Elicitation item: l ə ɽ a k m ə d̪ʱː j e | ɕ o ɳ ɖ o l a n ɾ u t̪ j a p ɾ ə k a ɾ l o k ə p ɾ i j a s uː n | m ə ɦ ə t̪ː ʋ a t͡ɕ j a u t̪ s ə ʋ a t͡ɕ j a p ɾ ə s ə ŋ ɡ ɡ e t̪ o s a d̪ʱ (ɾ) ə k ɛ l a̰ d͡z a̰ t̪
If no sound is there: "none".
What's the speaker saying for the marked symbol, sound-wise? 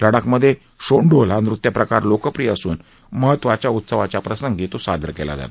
ɾ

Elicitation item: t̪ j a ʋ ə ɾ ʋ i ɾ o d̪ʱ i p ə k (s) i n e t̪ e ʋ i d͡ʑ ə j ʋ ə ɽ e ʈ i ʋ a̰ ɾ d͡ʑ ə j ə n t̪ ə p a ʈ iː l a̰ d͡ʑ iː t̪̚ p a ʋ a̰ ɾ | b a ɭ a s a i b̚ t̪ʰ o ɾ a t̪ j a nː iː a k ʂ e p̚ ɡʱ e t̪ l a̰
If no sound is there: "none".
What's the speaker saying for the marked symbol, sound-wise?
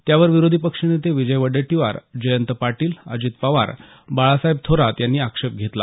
ʂ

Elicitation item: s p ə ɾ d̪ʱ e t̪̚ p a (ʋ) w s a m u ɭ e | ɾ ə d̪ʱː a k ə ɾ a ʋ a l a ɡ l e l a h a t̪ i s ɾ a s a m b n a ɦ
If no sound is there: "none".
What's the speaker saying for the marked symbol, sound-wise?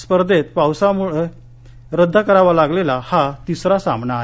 none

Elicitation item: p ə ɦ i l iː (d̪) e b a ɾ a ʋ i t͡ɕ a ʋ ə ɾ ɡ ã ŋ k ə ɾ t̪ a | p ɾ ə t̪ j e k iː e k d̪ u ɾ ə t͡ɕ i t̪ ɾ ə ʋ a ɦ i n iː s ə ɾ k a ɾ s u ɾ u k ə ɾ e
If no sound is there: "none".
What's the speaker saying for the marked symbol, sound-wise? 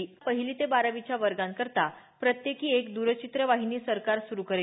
t̪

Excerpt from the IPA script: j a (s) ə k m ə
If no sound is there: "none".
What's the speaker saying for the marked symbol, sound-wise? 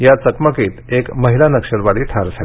t͡s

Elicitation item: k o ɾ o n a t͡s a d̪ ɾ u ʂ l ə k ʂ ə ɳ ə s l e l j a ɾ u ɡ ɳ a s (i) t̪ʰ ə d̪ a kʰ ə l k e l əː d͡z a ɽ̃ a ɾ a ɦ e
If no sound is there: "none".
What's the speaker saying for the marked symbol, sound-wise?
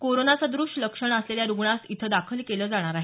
i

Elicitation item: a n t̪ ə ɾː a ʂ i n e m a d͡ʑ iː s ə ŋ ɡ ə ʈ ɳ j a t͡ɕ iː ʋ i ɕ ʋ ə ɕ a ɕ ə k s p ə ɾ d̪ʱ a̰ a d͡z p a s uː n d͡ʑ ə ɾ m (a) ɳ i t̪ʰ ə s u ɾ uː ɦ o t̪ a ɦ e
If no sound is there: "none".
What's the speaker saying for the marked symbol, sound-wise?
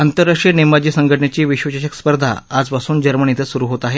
ə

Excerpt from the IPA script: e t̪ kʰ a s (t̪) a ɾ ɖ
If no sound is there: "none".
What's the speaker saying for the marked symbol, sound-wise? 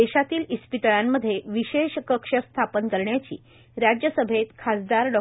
d̪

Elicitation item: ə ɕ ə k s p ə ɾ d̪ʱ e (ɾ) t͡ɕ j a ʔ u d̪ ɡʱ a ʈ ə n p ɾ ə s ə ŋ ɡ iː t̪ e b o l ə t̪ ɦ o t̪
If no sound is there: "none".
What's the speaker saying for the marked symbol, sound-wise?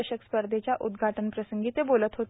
none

